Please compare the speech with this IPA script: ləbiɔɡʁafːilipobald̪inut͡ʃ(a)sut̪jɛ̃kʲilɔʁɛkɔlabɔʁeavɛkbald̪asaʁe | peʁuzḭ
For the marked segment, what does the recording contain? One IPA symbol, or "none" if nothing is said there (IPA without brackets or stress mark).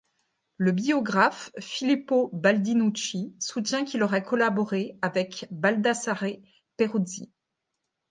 i